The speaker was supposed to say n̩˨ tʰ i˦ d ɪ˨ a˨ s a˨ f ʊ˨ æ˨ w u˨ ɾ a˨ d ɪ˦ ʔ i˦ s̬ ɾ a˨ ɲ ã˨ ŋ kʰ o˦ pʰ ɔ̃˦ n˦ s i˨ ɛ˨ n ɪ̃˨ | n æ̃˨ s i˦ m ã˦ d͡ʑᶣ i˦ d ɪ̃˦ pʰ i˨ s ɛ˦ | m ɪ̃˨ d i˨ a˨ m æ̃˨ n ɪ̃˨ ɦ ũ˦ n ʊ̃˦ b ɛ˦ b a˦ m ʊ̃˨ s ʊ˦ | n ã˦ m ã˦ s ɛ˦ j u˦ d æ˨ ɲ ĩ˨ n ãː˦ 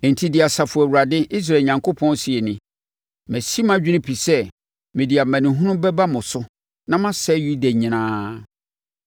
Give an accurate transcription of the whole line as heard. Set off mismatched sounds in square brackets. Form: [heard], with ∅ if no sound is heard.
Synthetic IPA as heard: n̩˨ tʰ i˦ d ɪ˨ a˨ s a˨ f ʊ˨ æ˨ w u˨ ɾ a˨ d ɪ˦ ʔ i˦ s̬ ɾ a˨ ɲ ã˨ ŋ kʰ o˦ pʰ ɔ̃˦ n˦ s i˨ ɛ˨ n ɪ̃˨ | [m] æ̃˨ s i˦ m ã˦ d͡ʑᶣ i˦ [n] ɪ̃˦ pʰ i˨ s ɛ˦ | m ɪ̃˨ d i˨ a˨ m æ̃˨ n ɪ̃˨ ɦ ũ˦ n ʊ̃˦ b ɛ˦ b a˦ m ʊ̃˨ s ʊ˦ | n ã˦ m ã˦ s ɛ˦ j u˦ d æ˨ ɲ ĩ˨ n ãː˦